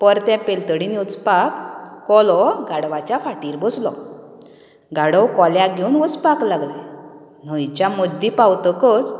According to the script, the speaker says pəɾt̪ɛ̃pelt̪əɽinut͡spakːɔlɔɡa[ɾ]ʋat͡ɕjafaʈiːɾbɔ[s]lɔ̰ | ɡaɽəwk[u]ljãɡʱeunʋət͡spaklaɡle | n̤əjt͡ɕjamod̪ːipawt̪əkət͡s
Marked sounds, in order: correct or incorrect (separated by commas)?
incorrect, correct, incorrect